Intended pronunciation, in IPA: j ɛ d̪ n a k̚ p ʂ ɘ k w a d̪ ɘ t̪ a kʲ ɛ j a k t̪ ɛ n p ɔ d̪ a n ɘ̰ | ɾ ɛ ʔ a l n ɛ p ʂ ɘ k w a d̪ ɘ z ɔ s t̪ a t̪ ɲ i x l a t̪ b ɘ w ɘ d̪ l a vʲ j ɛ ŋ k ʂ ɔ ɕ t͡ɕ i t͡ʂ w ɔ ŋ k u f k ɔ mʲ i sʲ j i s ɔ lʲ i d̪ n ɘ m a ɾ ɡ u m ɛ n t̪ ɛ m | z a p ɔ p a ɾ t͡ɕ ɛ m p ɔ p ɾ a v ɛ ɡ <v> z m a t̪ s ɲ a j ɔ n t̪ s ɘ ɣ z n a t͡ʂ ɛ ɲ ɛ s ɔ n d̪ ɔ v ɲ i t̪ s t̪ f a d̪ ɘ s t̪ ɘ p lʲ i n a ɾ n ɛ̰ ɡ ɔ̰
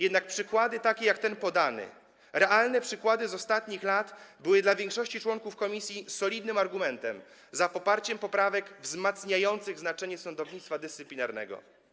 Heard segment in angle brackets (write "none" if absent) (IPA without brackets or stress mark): v